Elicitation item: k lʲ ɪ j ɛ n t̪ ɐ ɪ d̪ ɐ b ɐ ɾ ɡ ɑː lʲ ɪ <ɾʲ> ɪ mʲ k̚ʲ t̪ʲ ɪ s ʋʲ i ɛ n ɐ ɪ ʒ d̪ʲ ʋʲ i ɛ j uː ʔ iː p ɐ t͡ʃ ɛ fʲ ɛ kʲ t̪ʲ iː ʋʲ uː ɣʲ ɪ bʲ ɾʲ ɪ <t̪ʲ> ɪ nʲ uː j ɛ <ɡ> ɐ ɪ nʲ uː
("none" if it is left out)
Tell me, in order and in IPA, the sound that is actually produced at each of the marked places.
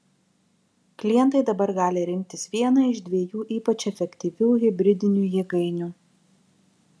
ɾʲ, d̪ʲ, ɡ

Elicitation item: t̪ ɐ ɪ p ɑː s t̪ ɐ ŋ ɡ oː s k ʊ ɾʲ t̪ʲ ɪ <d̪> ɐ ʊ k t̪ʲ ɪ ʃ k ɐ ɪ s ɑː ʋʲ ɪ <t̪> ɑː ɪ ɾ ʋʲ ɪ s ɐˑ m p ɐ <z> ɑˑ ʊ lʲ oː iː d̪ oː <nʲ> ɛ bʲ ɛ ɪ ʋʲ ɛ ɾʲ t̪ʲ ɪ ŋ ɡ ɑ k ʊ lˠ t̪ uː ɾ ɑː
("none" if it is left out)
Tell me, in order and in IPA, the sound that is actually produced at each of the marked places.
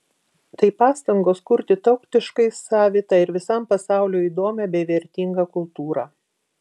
t̪, t̪, s, mʲ

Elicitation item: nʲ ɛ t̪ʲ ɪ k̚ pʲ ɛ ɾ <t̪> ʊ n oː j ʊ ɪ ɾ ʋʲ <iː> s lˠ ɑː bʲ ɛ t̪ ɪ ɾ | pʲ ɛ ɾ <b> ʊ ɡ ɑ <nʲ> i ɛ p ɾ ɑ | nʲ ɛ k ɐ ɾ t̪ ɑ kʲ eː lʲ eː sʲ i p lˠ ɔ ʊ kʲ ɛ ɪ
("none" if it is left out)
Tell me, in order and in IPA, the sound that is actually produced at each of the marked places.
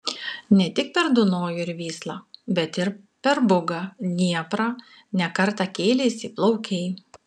d̪, iː, b, nʲ

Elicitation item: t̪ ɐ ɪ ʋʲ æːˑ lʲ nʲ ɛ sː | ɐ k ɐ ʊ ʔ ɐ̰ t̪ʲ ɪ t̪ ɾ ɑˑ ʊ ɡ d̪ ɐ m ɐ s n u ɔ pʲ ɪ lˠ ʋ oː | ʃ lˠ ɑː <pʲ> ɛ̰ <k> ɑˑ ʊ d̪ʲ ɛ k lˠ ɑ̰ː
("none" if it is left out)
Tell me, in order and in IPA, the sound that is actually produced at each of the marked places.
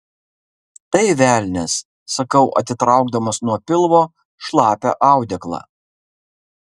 pʲ, ʔ

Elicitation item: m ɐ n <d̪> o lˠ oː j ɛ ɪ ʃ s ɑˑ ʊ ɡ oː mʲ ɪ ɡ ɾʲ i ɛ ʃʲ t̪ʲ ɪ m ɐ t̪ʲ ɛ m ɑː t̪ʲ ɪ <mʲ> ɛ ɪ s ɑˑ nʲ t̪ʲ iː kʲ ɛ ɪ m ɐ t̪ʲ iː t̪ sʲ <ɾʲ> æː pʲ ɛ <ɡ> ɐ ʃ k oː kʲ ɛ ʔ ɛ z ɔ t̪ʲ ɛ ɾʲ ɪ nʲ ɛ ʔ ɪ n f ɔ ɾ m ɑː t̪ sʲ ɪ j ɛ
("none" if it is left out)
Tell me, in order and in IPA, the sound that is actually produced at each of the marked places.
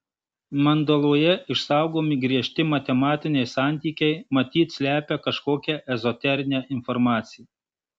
d̪, nʲ, lʲ, k

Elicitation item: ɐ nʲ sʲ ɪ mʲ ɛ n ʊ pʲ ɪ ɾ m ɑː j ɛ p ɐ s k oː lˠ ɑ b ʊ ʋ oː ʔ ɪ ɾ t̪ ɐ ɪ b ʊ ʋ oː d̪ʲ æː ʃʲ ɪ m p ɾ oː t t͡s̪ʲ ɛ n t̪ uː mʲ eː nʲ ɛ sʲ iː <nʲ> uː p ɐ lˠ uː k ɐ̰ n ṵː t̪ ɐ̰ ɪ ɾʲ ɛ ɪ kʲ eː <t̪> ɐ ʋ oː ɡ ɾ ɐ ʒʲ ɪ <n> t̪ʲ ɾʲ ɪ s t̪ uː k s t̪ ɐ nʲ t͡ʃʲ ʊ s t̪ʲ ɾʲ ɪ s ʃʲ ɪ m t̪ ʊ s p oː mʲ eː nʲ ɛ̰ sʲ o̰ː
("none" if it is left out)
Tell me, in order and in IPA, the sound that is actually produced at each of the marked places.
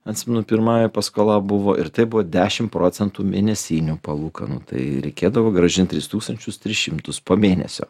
nʲ, d̪, n

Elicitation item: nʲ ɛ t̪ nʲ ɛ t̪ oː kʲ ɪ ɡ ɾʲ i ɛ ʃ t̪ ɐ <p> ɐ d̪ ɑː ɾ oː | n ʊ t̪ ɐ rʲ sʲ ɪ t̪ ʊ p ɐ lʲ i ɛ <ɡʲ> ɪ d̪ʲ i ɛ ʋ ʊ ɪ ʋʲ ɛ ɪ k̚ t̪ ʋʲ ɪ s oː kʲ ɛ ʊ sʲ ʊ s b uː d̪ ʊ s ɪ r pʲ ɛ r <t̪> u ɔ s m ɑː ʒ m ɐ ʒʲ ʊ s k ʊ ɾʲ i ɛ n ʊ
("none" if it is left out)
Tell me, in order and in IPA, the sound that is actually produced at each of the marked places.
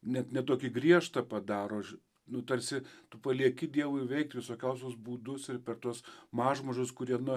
p, kʲ, t̪

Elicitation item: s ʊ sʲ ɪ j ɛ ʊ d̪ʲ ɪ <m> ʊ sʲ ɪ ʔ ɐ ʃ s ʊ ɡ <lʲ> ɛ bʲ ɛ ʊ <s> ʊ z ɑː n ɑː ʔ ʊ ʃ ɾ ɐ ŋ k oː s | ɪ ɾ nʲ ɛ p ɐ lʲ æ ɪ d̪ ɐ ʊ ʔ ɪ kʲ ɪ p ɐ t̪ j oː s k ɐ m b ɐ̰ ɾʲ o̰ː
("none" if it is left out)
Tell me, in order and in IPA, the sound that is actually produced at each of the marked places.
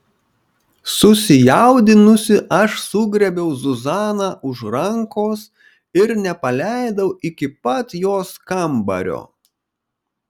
n, ɾʲ, z

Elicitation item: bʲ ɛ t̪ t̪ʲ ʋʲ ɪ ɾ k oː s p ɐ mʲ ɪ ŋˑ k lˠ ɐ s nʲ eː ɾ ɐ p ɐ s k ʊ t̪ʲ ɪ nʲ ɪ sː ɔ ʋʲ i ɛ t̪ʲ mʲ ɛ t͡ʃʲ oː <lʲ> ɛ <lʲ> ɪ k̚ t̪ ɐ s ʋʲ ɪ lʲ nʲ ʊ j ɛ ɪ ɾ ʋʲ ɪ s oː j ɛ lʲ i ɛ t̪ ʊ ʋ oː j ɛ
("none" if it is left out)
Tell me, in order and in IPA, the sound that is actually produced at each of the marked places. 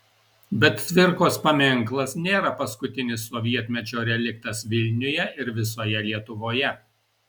ɾʲ, lʲ

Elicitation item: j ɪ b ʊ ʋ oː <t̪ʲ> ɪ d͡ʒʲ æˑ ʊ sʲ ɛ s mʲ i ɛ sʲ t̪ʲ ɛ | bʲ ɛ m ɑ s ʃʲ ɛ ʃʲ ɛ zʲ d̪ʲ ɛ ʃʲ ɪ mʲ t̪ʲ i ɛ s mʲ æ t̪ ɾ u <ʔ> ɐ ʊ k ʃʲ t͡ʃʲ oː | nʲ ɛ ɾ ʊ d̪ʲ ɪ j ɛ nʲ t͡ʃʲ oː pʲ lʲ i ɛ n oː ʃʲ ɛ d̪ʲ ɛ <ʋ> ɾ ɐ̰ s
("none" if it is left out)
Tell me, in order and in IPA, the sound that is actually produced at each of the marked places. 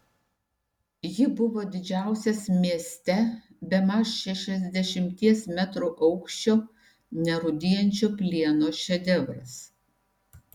d̪ʲ, ʔ, ʋ

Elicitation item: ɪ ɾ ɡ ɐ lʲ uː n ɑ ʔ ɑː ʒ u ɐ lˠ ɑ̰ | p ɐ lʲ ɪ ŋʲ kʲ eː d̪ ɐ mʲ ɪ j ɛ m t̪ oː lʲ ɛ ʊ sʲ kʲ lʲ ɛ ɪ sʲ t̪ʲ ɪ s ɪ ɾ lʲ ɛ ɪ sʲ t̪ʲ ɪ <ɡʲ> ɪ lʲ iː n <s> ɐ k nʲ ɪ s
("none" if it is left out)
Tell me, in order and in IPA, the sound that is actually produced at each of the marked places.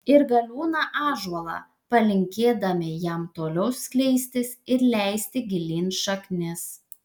ɡʲ, ʃ

